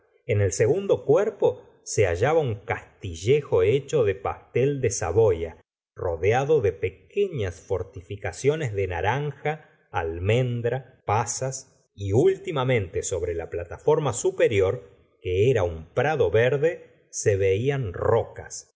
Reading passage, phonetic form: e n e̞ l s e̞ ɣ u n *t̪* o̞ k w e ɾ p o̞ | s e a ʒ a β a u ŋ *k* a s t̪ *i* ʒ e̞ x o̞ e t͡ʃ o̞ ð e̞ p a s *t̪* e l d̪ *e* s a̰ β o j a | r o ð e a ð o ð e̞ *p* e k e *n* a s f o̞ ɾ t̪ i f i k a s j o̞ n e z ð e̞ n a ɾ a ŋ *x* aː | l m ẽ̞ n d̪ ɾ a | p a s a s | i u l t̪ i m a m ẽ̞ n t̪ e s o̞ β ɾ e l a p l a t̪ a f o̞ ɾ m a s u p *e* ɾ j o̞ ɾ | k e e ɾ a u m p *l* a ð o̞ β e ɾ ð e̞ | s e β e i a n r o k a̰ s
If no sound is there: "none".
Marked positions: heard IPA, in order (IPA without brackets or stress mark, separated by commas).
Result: d̪, k, i, t̪, e, p, ɲ, x, e, ɾ